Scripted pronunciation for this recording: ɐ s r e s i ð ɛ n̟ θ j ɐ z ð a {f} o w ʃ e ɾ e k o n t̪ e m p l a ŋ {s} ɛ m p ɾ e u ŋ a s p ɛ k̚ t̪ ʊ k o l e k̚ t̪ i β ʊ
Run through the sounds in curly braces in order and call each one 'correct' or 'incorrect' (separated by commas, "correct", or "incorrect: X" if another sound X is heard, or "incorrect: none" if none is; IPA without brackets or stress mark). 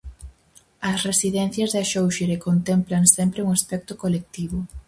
incorrect: ʃ, correct